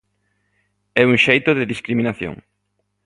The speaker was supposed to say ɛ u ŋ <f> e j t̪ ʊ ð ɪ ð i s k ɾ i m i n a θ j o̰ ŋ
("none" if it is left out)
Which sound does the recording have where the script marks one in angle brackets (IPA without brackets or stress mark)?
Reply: ʃ